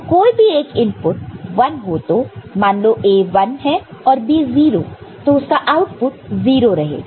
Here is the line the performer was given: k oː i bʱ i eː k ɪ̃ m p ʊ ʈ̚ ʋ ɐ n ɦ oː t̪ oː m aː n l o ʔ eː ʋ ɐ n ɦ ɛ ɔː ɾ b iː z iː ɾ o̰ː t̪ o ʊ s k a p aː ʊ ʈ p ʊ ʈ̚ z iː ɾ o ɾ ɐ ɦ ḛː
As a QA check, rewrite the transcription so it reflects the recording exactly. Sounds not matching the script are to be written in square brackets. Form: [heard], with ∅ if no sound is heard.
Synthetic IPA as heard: k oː i bʱ i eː k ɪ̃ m p ʊ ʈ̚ ʋ ɐ n ɦ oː t̪ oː m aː n l o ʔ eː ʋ ɐ n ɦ ɛ ɔː ɾ b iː z iː ɾ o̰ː t̪ o ʊ s k a [ʔ] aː ʊ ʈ p ʊ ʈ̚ z iː ɾ o ɾ ɐ ɦ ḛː